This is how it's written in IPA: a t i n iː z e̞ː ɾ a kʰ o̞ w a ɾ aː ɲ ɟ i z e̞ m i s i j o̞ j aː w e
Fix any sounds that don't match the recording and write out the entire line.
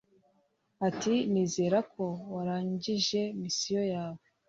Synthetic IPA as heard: a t i n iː z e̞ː ɾ a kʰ o̞ w a ɾ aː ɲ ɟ i ʒ e̞ m i s i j o̞ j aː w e